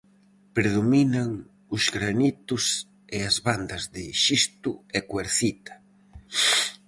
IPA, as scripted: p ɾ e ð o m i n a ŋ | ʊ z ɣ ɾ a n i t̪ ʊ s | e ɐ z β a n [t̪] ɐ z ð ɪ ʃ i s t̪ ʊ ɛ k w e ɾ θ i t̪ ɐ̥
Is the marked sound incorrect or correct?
incorrect